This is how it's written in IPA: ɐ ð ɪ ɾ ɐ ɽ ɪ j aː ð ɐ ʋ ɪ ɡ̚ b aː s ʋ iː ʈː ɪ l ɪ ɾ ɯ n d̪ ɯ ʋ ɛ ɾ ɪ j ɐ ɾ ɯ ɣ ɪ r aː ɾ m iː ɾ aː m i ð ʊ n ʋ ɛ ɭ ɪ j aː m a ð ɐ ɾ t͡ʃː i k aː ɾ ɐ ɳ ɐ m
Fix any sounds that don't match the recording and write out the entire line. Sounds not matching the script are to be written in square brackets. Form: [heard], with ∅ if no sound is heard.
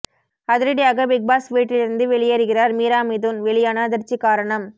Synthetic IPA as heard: ɐ ð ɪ ɾ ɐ ɽ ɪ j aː [ɣ] ɐ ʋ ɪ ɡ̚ b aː s ʋ iː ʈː ɪ l ɪ ɾ ɯ n d̪ ɯ ʋ ɛ [ɭ] ɪ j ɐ ɾ ɯ ɣ ɪ r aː ɾ m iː ɾ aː m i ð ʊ n ʋ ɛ ɭ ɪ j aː [n] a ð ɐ ɾ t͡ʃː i k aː ɾ ɐ ɳ ɐ m